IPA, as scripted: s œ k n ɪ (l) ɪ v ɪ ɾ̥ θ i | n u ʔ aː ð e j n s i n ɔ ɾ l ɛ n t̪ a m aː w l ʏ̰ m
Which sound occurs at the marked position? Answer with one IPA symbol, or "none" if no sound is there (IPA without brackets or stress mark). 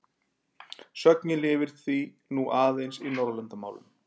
l